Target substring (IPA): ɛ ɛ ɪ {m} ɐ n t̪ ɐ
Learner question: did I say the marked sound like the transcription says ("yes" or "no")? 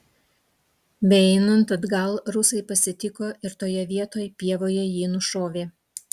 no